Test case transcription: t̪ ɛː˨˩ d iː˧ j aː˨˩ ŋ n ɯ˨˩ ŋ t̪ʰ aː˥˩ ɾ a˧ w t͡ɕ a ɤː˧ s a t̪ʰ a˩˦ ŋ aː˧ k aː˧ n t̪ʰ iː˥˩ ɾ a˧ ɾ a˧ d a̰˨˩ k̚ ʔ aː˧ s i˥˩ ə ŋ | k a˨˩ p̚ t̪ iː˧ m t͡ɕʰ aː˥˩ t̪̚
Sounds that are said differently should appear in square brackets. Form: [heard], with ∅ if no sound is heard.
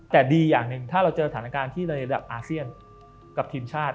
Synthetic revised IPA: t̪ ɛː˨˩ d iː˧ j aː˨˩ ŋ n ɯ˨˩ ŋ t̪ʰ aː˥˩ ɾ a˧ w t͡ɕ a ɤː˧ s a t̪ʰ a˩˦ [n] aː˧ k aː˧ n t̪ʰ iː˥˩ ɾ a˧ ɾ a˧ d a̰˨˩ [p̚] ʔ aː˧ s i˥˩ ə [n] | k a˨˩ p̚ [t̪ʰ] iː˧ m t͡ɕʰ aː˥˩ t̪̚

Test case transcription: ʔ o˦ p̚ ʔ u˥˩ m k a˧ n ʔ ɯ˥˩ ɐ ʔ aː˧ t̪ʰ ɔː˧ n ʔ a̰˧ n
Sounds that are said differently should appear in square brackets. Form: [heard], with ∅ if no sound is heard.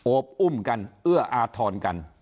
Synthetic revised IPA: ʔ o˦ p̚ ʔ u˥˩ m k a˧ n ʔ ɯ˥˩ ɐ ʔ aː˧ t̪ʰ ɔː˧ n [k] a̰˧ n

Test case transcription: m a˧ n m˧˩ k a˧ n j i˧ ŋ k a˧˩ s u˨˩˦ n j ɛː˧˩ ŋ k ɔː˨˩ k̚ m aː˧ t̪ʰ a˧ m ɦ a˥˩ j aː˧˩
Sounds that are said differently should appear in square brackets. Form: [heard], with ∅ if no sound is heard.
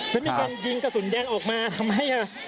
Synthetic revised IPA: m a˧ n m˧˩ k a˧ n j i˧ ŋ k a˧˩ s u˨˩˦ n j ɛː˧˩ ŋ [ʔ] ɔː˨˩ k̚ m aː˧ t̪ʰ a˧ m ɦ a˥˩ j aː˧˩

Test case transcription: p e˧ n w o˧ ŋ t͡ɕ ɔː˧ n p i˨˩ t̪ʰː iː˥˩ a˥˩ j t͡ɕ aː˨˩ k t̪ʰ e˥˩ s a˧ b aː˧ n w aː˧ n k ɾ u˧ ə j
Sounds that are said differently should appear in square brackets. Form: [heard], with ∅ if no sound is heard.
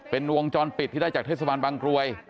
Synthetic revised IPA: p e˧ n w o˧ ŋ t͡ɕ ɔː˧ n p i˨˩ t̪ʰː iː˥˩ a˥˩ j t͡ɕ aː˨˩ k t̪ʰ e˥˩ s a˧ b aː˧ n [b] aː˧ [ŋ] k ɾ u˧ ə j

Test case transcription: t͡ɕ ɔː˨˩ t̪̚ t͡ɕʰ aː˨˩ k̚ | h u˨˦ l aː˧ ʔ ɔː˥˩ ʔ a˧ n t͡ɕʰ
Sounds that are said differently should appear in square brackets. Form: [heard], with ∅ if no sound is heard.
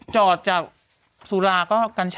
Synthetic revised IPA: t͡ɕ ɔː˨˩ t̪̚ [t͡ɕ] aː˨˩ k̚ | [s] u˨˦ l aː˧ [k] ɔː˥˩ [k] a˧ n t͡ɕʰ

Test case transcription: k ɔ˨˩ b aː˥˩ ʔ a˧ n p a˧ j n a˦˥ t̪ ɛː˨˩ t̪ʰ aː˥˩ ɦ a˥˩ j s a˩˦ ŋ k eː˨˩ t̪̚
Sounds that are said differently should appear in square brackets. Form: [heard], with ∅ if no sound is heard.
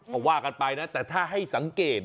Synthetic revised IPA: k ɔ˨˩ [w] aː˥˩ [k] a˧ n p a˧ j n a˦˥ t̪ ɛː˨˩ t̪ʰ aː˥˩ ɦ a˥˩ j s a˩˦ ŋ k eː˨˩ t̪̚

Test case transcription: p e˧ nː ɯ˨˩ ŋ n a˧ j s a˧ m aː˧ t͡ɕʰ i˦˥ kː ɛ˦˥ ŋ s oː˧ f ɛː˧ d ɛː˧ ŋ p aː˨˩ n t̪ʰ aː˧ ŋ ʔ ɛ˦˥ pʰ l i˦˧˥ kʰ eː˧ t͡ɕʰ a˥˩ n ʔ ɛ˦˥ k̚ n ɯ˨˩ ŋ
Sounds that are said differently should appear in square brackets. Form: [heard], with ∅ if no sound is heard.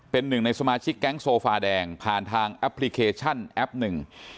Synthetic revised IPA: p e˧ nː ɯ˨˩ ŋ n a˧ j s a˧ m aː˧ t͡ɕʰ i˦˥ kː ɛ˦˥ ŋ s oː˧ f [aː˧] d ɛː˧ ŋ [pʰ] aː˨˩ n t̪ʰ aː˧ ŋ ʔ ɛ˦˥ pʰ l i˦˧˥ kʰ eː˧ t͡ɕʰ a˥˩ n ʔ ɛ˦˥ [p̚] n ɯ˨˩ ŋ

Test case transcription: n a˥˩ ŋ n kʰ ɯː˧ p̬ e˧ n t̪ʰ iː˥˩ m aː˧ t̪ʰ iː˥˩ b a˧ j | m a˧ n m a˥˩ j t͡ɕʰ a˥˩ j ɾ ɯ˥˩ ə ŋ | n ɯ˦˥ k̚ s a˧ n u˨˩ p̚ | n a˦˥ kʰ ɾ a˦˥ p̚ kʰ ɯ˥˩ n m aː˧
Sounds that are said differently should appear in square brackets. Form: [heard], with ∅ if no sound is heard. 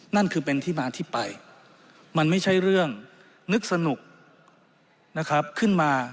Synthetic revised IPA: n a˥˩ [∅] n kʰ ɯː˧ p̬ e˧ n t̪ʰ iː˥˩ m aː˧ t̪ʰ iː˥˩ [p] a˧ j | m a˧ n m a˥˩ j t͡ɕʰ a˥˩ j ɾ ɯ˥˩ ə ŋ | n ɯ˦˥ k̚ s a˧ n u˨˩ [k̚] | n a˦˥ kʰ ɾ a˦˥ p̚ kʰ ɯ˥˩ n m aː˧

